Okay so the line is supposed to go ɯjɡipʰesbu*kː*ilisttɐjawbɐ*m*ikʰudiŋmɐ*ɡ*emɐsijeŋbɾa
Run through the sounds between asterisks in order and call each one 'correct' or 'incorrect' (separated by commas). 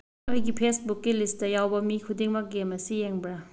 correct, correct, correct